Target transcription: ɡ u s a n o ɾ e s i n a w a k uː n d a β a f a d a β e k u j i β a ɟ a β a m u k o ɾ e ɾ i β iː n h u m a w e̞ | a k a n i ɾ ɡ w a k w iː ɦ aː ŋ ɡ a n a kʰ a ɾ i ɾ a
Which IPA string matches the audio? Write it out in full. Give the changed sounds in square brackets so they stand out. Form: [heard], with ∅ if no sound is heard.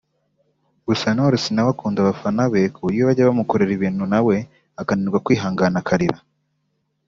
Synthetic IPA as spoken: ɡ u s a n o ɾ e s i n a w a k uː n d a β a f a [n] a β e k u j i β a ɟ a β a m u k o ɾ e ɾ i β iː n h u [n] a w e̞ | a k a n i ɾ ɡ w a k w iː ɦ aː ŋ ɡ a n a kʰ a ɾ i ɾ a